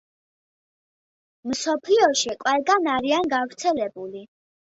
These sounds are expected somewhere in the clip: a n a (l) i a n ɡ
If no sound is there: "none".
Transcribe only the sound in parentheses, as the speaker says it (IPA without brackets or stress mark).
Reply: ɾ